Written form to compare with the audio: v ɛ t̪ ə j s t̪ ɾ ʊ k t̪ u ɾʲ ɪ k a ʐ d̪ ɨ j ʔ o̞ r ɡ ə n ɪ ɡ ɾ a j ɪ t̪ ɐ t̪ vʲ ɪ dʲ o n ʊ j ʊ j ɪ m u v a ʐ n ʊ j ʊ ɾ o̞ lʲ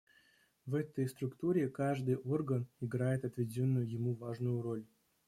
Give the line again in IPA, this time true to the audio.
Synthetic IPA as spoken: v ɛ t̪ ə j s t̪ ɾ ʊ k t̪ u ɾʲ ɪ k a ʐ d̪ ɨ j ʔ o̞ r ɡ ə n ɪ ɡ ɾ a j ɪ t̪ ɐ t̪ vʲ ɪ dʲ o nː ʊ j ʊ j ɪ m u v a ʐ n ʊ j ʊ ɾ o̞ lʲ